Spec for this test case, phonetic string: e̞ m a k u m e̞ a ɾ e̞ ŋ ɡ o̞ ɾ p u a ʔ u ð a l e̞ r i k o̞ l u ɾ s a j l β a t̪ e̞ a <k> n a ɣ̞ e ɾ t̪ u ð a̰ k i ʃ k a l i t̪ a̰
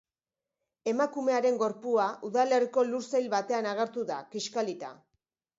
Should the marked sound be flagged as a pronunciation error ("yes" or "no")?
yes